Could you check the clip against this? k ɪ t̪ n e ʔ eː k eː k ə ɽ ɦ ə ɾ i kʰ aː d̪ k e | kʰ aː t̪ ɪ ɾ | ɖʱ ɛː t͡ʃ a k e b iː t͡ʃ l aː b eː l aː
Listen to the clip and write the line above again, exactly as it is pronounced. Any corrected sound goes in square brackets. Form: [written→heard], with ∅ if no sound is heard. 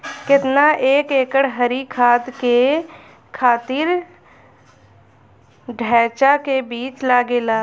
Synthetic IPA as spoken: k ɪ t̪ n [e→a] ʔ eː k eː k ə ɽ ɦ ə ɾ i kʰ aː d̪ k e | kʰ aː t̪ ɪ ɾ | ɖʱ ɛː t͡ʃ a k e b iː t͡ʃ l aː [b→ɡ] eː l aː